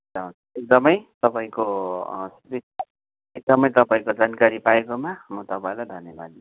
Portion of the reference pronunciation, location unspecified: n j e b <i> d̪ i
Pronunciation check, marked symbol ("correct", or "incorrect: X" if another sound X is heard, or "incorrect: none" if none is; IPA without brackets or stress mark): incorrect: a